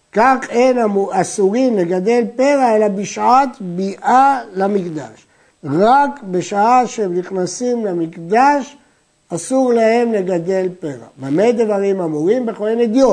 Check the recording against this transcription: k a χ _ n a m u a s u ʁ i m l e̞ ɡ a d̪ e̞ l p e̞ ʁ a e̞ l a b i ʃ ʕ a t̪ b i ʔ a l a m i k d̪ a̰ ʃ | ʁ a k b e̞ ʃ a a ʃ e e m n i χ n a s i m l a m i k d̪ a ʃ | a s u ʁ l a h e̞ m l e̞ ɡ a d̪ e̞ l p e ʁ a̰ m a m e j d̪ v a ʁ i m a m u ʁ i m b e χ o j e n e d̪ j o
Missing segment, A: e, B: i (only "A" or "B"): A